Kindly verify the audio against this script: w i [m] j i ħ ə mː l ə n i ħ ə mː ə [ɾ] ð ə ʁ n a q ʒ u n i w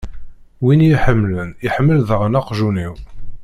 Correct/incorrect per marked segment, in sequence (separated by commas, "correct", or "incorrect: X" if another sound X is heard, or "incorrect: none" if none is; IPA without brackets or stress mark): incorrect: n, incorrect: l